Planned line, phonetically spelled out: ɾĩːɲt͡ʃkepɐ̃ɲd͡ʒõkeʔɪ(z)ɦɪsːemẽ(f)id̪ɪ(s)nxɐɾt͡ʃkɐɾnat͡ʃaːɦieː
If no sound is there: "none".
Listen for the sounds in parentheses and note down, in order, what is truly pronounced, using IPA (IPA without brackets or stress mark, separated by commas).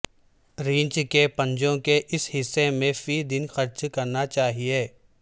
s, f, none